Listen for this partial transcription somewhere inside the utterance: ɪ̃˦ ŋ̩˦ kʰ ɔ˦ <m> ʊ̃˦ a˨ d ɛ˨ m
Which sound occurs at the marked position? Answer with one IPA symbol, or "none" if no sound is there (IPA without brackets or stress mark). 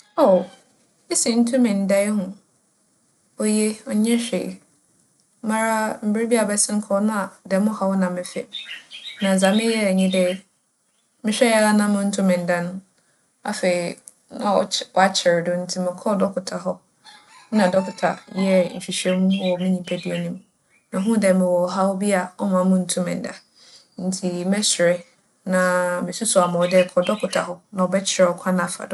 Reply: n